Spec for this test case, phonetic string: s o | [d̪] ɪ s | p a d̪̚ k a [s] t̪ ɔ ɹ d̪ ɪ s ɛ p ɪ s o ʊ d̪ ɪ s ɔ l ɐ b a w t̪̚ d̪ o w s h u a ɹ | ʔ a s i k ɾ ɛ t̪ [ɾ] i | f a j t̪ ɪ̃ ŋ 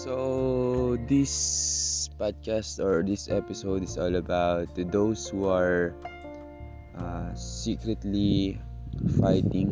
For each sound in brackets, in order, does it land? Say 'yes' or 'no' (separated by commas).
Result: yes, yes, no